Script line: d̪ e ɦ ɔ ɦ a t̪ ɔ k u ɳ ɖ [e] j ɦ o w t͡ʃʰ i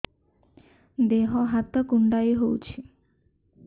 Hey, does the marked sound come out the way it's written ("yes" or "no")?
no